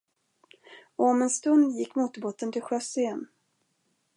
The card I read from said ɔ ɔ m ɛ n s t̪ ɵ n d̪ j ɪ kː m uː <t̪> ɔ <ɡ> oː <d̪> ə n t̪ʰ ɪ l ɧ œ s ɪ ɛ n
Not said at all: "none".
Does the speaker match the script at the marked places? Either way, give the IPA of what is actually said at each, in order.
t̪, b, t̪

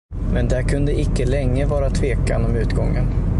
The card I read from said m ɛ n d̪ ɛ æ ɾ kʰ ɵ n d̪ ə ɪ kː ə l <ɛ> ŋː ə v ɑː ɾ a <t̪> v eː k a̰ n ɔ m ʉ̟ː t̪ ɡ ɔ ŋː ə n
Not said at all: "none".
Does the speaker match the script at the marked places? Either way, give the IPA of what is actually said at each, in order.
ɛ, t̪ʰ

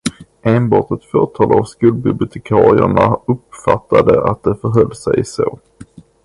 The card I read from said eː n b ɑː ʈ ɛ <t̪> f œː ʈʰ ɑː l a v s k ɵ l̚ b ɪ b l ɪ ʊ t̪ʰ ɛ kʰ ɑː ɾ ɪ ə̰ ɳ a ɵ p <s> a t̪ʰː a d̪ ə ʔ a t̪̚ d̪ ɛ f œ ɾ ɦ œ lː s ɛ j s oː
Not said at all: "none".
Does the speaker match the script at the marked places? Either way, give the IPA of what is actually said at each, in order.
t̪, f

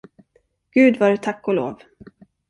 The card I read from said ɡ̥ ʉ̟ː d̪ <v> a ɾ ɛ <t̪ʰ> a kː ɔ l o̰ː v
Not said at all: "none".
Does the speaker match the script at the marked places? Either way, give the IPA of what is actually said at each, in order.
v, t̪ʰ

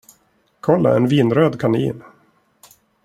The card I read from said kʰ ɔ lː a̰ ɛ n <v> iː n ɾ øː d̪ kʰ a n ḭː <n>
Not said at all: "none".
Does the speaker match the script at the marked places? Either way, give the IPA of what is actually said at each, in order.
v, n

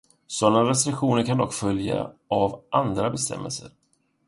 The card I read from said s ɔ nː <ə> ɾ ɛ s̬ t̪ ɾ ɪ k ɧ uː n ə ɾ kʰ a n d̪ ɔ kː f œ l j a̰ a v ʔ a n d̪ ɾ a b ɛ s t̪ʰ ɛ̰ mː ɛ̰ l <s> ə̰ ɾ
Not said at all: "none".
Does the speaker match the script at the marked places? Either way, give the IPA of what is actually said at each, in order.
a, s

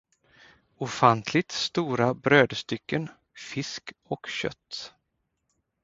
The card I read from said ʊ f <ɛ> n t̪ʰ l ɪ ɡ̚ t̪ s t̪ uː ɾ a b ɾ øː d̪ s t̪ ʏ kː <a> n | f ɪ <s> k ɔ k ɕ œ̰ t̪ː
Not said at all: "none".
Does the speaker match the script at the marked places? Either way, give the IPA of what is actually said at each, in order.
a, ə, s

